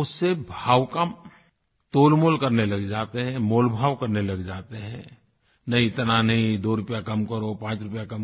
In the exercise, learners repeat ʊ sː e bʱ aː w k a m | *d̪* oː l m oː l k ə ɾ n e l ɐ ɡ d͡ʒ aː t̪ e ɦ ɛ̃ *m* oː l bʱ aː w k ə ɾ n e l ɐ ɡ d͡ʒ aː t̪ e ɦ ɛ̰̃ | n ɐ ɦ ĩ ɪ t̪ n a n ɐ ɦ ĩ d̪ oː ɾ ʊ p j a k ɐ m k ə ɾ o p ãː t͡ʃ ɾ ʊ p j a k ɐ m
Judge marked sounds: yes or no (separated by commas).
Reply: no, yes